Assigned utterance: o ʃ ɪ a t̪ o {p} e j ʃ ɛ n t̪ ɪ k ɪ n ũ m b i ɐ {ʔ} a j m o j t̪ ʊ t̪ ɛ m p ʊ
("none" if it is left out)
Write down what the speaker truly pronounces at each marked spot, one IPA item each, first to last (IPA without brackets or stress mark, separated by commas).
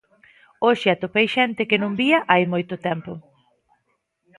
p, ʔ